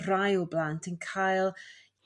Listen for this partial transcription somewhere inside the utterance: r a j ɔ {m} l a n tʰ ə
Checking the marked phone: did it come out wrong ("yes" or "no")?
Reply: yes